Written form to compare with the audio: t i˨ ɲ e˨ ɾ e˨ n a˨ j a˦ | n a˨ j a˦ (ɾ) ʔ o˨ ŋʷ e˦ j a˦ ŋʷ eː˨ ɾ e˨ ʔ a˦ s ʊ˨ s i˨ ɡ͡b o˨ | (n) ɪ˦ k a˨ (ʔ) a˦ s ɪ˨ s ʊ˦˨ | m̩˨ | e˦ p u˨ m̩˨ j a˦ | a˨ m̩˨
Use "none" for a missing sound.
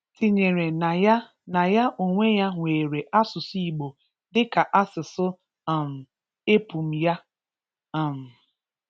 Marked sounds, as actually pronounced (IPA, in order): none, d, ʔ

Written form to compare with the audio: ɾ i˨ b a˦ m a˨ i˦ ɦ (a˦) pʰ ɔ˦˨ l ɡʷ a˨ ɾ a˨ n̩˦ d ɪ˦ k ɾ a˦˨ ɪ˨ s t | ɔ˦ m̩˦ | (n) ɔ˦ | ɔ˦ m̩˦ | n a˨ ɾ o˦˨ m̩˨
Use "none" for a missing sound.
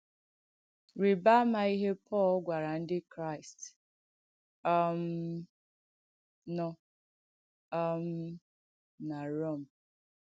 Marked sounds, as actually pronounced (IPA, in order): e˦, n

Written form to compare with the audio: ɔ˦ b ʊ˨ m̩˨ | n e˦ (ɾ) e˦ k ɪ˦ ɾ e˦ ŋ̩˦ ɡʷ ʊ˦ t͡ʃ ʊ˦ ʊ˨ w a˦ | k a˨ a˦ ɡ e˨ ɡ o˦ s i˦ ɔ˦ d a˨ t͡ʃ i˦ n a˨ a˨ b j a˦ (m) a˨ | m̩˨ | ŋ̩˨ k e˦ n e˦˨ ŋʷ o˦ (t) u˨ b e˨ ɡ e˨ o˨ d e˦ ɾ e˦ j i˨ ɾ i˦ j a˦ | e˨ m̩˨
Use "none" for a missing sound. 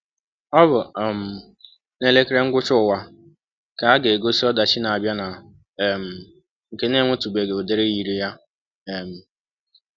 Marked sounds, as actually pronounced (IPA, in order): l, n, t

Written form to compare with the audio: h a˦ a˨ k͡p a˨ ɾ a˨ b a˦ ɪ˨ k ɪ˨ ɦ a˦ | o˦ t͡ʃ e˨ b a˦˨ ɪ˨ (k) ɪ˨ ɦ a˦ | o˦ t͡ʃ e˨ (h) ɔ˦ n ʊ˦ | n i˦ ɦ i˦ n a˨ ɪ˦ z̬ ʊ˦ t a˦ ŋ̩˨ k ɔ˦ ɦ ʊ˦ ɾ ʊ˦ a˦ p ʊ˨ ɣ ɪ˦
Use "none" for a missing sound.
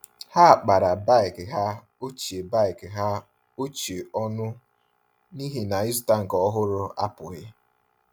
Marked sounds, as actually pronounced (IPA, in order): k, none

